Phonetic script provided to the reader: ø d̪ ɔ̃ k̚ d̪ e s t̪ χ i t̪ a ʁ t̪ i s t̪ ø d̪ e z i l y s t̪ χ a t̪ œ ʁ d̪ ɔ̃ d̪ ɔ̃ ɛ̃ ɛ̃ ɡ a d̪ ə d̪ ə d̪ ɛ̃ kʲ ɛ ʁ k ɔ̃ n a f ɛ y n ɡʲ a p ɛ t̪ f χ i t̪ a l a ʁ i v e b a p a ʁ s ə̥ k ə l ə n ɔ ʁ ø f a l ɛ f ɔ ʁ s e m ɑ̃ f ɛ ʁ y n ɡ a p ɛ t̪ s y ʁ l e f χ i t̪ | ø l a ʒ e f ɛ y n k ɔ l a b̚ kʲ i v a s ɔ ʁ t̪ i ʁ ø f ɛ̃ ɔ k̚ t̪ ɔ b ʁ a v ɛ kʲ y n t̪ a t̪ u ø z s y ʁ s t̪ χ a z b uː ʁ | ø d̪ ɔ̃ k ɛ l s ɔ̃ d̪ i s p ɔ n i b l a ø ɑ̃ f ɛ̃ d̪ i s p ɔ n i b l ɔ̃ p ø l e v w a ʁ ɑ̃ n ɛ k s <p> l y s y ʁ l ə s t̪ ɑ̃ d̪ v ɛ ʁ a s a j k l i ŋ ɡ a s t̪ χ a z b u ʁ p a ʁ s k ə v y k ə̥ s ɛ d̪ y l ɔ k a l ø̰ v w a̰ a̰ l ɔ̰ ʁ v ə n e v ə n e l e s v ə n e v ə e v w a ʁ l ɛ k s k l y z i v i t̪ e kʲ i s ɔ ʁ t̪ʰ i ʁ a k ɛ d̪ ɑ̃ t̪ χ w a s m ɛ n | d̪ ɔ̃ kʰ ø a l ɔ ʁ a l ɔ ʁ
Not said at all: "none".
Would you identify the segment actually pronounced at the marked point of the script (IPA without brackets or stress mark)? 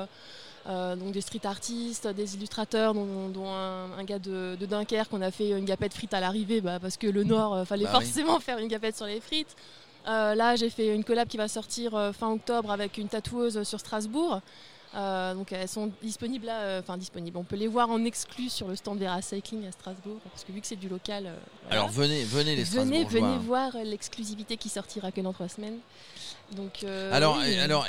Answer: k